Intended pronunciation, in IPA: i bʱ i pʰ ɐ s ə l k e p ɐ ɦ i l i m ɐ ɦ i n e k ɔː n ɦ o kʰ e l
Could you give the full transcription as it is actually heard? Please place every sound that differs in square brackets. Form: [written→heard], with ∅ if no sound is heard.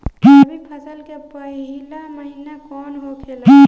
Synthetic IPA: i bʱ i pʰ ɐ s ə l k e p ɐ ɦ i l [i→a] m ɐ ɦ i n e k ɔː n ɦ o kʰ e l